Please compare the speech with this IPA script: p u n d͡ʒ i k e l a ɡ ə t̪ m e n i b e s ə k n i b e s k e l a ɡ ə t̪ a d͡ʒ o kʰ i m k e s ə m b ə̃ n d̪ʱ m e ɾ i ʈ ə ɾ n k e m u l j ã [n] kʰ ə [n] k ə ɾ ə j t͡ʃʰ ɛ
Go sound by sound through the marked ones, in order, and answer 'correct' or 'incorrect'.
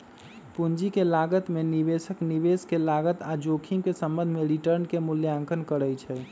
incorrect, correct

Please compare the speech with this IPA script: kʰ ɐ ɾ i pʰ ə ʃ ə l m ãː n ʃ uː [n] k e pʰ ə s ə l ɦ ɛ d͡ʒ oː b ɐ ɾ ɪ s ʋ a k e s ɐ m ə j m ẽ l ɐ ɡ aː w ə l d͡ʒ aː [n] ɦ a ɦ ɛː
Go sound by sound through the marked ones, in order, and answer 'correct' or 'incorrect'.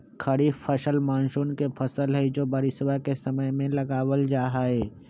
correct, incorrect

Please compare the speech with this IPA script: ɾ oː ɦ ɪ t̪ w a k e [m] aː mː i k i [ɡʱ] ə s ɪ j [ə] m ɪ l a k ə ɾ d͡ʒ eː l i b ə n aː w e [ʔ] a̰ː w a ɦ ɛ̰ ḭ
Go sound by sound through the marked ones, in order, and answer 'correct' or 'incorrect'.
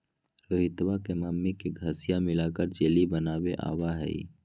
correct, correct, incorrect, correct

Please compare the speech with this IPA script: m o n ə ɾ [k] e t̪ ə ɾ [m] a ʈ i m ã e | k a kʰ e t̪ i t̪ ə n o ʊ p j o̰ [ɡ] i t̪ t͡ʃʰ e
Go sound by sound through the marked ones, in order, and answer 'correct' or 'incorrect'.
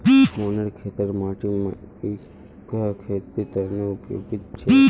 incorrect, correct, correct

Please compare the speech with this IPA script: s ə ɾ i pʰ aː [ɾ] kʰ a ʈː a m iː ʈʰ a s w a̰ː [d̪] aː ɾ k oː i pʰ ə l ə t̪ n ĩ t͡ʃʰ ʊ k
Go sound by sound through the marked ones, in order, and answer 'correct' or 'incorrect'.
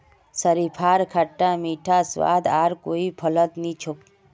correct, correct

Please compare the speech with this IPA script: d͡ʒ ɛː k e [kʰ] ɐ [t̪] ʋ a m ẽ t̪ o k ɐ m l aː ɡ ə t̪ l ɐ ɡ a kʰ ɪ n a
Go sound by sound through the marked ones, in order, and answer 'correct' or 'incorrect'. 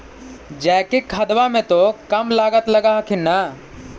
correct, incorrect

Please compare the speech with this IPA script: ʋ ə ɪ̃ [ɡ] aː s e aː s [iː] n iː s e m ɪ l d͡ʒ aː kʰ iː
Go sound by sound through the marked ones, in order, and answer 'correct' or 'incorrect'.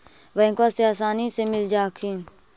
incorrect, incorrect

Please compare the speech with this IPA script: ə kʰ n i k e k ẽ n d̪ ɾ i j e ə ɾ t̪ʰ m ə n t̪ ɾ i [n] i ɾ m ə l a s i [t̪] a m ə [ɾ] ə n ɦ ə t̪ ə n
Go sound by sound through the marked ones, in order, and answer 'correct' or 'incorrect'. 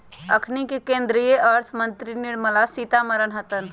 correct, correct, correct

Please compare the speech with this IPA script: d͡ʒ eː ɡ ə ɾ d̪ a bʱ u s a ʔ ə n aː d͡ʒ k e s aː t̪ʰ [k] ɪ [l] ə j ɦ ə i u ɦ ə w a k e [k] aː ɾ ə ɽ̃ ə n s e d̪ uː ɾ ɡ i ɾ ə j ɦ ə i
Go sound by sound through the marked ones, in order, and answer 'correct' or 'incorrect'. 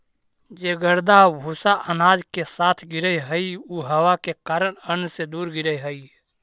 incorrect, incorrect, correct

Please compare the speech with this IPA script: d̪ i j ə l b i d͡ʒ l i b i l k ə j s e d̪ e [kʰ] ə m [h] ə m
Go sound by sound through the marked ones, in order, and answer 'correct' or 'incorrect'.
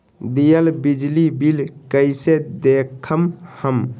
correct, correct

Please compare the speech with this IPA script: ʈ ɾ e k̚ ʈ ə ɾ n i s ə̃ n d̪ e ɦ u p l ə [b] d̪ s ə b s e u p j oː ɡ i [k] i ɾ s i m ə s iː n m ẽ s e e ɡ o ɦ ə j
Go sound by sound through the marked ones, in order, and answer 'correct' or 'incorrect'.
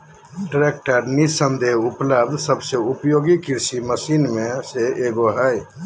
correct, correct

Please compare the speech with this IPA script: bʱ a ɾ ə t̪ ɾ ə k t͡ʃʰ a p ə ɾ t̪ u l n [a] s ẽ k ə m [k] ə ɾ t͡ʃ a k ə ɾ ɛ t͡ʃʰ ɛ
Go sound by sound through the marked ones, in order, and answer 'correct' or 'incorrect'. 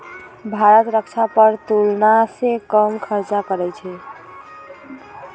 correct, incorrect

